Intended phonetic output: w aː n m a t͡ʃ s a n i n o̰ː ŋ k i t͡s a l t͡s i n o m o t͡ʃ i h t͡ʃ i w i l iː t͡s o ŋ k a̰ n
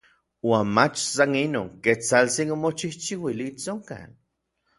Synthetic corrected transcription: w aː n m a t͡ʃ s a n i n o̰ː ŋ k e t͡s a l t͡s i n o m o t͡ʃ i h t͡ʃ i w i l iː t͡s o ŋ k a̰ n